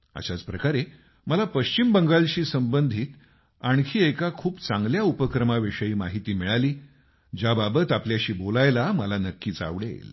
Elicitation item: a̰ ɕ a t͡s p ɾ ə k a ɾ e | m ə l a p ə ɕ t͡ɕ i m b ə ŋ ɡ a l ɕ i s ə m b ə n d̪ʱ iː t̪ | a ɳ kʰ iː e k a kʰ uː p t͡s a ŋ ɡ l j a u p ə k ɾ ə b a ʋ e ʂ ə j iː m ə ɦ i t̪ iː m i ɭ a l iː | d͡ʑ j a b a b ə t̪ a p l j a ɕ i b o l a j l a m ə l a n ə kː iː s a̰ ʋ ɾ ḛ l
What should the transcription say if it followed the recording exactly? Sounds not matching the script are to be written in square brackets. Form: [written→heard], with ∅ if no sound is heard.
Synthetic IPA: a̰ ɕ a t͡s p ɾ ə k a ɾ e | m ə l a p ə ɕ t͡ɕ i m b ə ŋ ɡ a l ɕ [i→iː] s ə m b ə n d̪ʱ iː t̪ | a ɳ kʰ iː e k a kʰ uː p t͡s a ŋ ɡ l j a u p ə k ɾ ə [b→m] a ʋ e ʂ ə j iː m [ə→a] ɦ i t̪ iː m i ɭ a l iː | d͡ʑ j a b a b ə t̪ a p l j a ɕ [i→iː] b o l a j l a m ə l a n ə kː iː [s→t͡s] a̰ ʋ [ɾ→ɽ] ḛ l

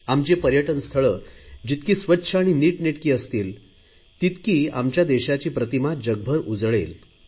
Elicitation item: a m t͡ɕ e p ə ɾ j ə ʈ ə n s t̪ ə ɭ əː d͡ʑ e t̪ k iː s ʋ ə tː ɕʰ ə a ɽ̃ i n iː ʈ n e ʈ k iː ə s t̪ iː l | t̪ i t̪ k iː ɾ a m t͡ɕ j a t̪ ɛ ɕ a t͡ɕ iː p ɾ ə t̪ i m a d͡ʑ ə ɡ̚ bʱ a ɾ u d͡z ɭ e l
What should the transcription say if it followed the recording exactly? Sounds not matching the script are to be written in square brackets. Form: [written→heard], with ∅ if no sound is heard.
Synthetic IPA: a m t͡ɕ e p ə ɾ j ə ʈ ə n s [t̪→t̪ʰ] ə ɭ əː d͡ʑ [e→i] t̪ k iː s ʋ ə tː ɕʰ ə a ɽ̃ i n iː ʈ n e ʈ k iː ə s t̪ iː l | t̪ i t̪ k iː [ɾ→∅] a m t͡ɕ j a [t̪→d̪] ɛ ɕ a t͡ɕ iː p ɾ ə t̪ i m a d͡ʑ ə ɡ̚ bʱ [a→ə] ɾ u d͡z ɭ e l

